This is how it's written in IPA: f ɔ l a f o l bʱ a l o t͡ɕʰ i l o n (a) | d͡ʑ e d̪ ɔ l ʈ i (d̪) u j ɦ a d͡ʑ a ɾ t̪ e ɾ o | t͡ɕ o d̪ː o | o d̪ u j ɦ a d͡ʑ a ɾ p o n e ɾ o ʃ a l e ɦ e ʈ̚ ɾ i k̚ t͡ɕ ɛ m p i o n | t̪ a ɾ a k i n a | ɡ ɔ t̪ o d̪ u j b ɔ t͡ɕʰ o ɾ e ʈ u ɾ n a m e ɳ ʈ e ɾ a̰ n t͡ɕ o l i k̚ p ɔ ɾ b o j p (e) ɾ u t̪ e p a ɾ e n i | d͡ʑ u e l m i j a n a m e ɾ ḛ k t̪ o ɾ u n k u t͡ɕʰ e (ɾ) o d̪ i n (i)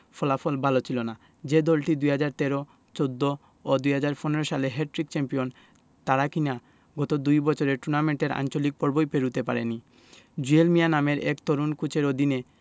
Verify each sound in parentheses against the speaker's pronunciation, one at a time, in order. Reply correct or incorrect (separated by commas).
correct, correct, correct, correct, incorrect